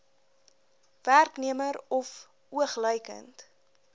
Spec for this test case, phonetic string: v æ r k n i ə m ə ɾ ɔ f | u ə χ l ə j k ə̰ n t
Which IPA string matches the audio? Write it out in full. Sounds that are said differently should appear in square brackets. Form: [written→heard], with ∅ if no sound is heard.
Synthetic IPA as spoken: v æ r k n i ə m ə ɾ ɔ f | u ə χ l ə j k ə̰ n t